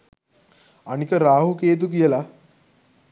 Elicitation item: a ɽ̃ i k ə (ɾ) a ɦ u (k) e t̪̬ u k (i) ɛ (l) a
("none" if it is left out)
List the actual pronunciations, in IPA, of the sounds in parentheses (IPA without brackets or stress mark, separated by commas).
ɾ, k, j, l